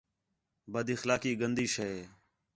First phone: b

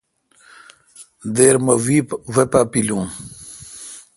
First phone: d̪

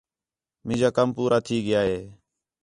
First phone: m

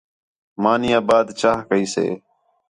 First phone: m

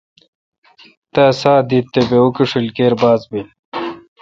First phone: t̪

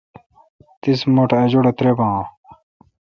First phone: t̪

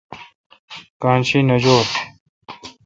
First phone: k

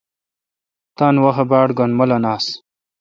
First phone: t̪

